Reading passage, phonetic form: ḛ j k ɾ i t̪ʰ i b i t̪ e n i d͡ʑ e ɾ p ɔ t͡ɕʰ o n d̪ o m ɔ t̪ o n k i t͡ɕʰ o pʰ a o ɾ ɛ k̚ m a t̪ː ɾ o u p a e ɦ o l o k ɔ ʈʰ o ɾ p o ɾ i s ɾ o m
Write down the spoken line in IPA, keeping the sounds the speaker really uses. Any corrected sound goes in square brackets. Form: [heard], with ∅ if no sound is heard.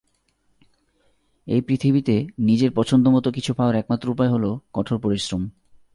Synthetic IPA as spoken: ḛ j [p] ɾ i t̪ʰ i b i t̪ e n i d͡ʑ e ɾ p ɔ t͡ɕʰ o n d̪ o m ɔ t̪ o [∅] k i t͡ɕʰ [u] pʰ a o ɾ ɛ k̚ m a t̪ː ɾ o u p a e ɦ o l o k ɔ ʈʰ o ɾ p o ɾ i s ɾ o m